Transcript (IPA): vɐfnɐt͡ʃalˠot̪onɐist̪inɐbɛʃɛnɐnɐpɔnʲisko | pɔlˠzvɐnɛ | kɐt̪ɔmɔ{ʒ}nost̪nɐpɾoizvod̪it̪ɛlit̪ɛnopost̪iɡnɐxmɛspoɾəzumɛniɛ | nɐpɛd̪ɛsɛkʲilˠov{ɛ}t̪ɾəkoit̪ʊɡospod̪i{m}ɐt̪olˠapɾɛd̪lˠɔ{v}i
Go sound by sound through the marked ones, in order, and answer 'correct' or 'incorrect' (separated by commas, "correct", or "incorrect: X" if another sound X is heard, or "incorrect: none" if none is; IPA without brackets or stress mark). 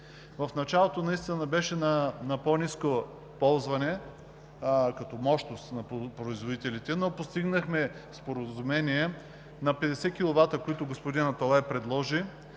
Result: incorrect: ʃ, incorrect: a, incorrect: n, incorrect: ʒ